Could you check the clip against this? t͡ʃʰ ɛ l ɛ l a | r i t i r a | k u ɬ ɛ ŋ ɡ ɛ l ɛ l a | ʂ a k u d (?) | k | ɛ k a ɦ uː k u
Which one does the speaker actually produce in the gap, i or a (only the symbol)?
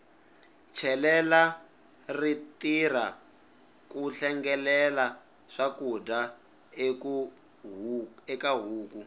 a